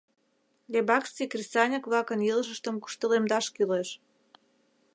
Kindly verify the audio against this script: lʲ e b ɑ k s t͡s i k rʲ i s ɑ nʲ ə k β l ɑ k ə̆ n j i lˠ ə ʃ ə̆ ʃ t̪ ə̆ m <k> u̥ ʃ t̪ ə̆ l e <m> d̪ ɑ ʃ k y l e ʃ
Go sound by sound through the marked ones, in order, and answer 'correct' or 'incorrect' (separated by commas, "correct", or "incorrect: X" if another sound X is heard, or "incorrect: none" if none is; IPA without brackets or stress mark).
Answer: correct, correct